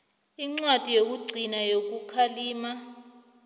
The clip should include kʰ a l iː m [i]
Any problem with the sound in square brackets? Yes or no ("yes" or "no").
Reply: yes